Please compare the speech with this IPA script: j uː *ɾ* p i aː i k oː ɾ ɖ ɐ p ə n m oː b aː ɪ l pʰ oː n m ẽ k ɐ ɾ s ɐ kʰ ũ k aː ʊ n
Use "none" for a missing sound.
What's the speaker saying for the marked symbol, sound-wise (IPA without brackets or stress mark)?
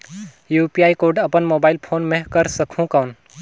none